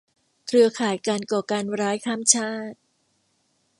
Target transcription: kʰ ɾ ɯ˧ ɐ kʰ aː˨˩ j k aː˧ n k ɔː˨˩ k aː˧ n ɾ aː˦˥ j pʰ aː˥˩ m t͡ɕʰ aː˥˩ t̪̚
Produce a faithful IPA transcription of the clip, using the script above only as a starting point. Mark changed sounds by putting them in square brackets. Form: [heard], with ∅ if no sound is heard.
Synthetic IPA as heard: kʰ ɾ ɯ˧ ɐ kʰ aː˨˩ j k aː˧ n k ɔː˨˩ k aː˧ n ɾ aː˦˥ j [kʰ] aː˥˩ m t͡ɕʰ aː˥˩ t̪̚